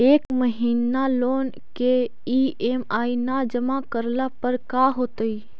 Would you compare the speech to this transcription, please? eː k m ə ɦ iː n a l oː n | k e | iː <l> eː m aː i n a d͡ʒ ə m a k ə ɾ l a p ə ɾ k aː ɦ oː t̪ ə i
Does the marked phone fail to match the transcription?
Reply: yes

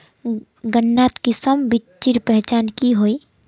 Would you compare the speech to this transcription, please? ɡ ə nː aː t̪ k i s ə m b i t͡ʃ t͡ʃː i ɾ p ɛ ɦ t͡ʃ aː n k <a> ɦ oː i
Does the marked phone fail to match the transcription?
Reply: yes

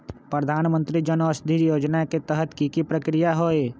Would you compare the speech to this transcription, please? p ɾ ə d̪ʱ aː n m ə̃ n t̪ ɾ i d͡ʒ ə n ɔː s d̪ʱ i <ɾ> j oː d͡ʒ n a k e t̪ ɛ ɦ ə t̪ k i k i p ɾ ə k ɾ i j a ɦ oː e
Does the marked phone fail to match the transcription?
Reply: no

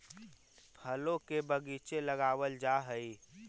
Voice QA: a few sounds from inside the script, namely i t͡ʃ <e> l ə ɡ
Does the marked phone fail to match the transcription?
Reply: no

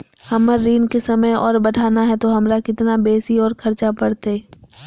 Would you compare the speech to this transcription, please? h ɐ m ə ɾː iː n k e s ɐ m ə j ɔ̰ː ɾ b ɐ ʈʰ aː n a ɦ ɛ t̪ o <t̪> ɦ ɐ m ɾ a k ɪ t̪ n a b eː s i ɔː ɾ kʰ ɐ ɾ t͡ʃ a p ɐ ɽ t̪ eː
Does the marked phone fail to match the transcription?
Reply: yes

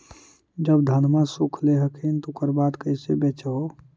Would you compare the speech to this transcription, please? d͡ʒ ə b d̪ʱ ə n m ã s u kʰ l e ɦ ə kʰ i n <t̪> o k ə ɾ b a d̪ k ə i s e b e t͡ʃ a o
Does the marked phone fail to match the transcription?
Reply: no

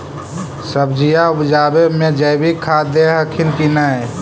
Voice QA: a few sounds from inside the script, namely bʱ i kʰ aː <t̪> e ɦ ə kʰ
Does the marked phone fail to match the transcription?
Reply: yes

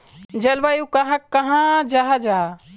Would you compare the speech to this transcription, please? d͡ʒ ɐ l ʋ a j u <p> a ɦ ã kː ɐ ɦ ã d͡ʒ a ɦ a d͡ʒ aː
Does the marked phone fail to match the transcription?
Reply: yes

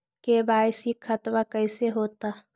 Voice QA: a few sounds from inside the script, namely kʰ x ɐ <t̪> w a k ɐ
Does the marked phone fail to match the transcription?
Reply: no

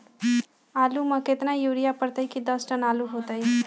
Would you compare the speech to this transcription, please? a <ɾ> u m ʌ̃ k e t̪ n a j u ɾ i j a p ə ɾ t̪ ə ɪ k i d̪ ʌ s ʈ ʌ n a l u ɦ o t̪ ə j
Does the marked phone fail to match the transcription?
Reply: yes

